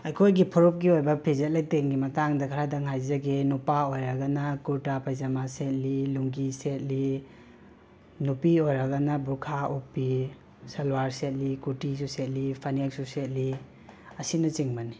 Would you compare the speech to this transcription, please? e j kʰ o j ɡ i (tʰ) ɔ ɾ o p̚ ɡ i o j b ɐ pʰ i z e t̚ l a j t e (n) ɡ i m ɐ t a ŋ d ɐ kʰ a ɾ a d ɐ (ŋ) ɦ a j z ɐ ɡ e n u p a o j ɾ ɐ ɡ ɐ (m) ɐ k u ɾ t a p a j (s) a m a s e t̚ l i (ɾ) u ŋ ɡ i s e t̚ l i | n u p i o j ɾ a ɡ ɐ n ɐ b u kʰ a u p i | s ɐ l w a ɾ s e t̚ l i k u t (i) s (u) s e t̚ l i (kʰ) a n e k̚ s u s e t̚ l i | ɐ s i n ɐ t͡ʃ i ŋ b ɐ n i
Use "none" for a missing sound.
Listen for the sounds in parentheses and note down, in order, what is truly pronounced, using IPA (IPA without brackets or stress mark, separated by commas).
pʰ, ŋ, ŋ, n, z, l, i, u, pʰ